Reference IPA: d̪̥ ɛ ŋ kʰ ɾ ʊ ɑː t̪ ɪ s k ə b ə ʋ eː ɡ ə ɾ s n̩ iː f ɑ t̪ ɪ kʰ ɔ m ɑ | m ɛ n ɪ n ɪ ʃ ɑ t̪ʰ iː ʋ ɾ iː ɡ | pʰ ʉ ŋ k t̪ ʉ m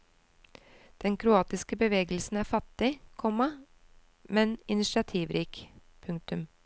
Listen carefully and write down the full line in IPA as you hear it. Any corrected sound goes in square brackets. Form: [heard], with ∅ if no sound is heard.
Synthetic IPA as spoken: d̪̥ ɛ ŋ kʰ ɾ ʊ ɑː t̪ ɪ s k ə b ə ʋ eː ɡ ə [l] s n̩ [æː] f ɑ t̪ ɪ kʰ ɔ m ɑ | m ɛ n ɪ n ɪ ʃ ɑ t̪ʰ iː ʋ ɾ iː [k] | pʰ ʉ ŋ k t̪ ʉ m